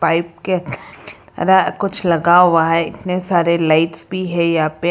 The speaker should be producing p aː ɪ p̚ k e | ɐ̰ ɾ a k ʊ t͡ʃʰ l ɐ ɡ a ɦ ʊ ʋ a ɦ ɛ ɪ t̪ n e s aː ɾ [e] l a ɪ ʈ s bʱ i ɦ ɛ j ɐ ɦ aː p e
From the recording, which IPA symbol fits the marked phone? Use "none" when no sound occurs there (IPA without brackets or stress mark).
e